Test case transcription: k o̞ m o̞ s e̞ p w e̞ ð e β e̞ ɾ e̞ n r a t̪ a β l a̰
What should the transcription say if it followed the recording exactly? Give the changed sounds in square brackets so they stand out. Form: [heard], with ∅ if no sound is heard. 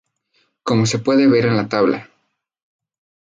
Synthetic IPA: k o̞ m o̞ s e̞ p w e̞ ð e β e̞ ɾ e̞ n [l] a t̪ a β l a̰